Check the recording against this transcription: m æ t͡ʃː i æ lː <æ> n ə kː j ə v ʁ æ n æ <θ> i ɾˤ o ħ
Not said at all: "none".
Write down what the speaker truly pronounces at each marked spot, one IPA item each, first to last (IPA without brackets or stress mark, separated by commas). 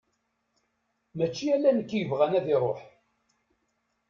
æ, ð